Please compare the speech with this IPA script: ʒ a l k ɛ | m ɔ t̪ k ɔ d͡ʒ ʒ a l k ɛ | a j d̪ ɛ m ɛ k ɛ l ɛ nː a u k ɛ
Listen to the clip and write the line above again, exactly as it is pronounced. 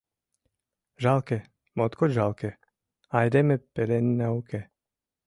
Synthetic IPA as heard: ʒ a l k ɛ | m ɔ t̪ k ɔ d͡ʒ ʒ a l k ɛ | a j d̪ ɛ m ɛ p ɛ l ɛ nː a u k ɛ